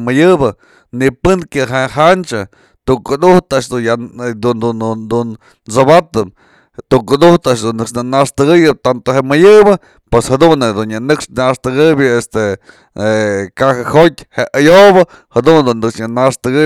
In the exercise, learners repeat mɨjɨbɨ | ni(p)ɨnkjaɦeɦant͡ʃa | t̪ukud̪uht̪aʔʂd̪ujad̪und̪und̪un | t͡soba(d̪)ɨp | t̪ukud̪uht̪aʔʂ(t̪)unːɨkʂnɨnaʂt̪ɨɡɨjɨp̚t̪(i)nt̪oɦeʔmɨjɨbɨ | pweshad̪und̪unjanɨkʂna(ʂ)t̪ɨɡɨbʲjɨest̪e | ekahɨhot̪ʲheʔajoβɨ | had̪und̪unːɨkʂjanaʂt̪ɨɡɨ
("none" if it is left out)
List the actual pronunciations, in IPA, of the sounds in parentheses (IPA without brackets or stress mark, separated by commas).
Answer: p, t̪, d̪, a, ʂ